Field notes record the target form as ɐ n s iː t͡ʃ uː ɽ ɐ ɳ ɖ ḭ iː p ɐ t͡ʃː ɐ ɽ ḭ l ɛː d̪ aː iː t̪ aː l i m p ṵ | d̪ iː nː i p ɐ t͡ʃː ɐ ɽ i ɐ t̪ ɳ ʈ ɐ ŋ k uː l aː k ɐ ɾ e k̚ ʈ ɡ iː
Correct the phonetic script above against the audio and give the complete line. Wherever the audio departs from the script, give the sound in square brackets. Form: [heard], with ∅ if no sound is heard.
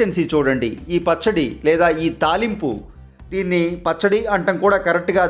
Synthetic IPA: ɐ n s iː t͡ʃ uː ɽ ɐ ɳ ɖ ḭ iː p ɐ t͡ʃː ɐ ɽ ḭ l ɛː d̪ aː iː t̪ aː l i m p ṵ | d̪ iː nː i p ɐ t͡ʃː ɐ ɽ i ɐ [∅] ɳ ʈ ɐ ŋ k uː [ɽ] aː k ɐ ɾ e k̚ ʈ ɡ [aː]

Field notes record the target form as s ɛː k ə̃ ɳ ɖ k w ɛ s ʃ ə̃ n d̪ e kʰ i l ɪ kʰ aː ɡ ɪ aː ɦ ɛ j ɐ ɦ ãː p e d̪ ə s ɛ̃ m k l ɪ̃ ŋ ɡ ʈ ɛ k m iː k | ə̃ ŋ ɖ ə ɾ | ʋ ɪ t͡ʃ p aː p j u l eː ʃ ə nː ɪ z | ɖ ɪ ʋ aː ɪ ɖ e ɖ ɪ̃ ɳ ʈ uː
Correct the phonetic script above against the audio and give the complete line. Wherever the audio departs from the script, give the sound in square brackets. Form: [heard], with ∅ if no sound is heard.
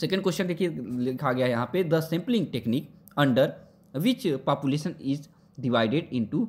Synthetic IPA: s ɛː k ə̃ ɳ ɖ k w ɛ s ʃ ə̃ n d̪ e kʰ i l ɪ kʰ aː ɡ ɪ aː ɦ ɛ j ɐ ɦ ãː p e d̪ ə s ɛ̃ m [p] l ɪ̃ ŋ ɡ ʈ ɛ k [n] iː k | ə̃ [ɳ] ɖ ə ɾ | ʋ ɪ t͡ʃ p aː p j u l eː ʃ ə [n] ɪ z | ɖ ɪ ʋ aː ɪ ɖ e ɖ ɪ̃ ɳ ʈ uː

